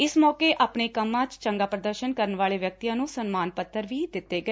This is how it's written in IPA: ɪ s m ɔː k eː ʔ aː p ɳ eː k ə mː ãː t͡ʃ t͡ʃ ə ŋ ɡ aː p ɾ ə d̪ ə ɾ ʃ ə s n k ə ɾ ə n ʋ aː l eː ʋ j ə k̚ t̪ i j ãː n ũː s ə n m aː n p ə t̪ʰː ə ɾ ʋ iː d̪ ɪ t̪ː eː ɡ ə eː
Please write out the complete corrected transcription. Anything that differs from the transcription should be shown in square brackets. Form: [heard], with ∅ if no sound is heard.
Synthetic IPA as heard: ɪ s m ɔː k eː ʔ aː p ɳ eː k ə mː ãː t͡ʃ t͡ʃ ə ŋ ɡ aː p ɾ ə d̪ ə ɾ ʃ ə [∅] n k ə ɾ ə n ʋ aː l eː ʋ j ə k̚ t̪ i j ãː n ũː s ə n m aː n p ə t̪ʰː ə ɾ ʋ iː d̪ ɪ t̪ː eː ɡ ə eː